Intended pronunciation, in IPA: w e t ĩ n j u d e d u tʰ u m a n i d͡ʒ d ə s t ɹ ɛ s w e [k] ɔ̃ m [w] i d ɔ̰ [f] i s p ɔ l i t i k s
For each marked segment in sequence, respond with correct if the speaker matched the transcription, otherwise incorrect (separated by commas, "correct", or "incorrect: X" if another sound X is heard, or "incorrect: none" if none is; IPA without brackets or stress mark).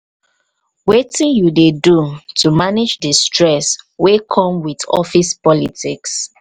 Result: incorrect: kʰ, correct, correct